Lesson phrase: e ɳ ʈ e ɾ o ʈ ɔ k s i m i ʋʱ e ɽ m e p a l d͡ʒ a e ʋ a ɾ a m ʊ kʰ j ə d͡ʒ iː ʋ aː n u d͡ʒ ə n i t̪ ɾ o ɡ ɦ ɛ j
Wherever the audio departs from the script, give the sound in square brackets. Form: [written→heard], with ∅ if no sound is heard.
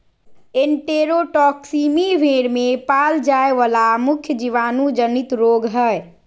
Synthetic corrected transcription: e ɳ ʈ e ɾ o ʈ ɔ k s i m i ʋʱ e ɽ m e p a l d͡ʒ a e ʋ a [ɾ→l] a m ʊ kʰ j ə d͡ʒ [iː→i] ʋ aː n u d͡ʒ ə n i t̪ ɾ o ɡ ɦ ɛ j